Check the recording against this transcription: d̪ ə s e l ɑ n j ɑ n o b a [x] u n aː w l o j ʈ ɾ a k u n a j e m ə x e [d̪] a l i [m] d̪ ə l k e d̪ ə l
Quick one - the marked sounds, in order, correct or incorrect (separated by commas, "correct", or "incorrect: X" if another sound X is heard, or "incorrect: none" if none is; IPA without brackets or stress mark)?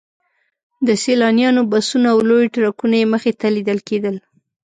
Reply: incorrect: s, incorrect: t̪, incorrect: none